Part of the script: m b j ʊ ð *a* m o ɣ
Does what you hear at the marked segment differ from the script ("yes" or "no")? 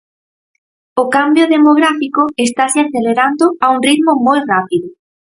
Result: yes